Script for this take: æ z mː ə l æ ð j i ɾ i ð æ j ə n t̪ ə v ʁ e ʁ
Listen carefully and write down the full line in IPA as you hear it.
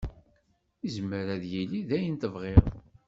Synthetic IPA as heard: i z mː ə ɾ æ ð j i l i ð æ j ə n t̪ ə v ʁ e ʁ